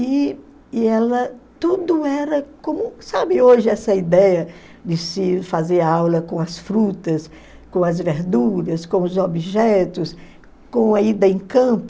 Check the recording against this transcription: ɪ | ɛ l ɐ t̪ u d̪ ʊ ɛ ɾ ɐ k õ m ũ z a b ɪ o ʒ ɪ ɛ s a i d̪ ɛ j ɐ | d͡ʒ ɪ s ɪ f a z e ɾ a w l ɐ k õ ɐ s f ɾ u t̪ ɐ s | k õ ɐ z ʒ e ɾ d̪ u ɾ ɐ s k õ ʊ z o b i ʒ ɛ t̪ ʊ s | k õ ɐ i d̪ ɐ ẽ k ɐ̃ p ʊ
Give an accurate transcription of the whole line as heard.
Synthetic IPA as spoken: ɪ | ɛ l ɐ t̪ u d̪ ʊ ɛ ɾ ɐ k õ m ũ s a b ɪ o ʒ ɪ ɛ s ɐ i d̪ ɛ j ɐ | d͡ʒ ɪ s ɪ f a z e ɾ a w l ɐ k õ ɐ s f ɾ u t̪ ɐ s | k õ ɐ z v e ɾ d̪ u ɾ ɐ s k õ ʊ z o b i ʒ ɛ t̪ ʊ s | k õ ɐ i d̪ ɐ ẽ k ɐ̃ p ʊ